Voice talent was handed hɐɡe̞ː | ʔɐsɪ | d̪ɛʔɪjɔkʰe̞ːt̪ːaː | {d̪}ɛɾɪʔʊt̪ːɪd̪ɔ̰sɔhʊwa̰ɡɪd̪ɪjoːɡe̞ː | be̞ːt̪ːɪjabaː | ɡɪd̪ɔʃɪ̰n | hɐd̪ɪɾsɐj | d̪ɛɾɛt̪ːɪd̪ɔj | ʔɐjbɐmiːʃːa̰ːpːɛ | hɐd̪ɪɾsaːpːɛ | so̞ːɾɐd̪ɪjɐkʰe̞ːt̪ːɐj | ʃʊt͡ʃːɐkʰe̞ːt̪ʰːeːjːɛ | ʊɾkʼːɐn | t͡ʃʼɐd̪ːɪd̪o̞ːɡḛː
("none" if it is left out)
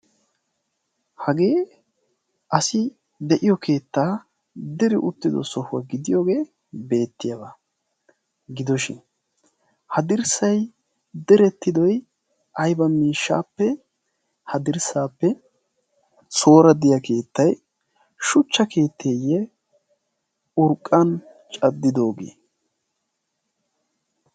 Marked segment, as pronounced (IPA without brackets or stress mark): d̪